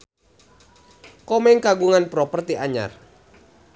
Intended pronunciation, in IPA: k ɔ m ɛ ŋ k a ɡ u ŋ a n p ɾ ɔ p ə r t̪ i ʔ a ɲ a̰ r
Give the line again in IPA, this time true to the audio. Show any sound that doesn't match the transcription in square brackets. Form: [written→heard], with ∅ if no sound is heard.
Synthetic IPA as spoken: k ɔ m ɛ ŋ k a ɡ u ŋ a n p ɾ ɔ p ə r t̪ i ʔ a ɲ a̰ r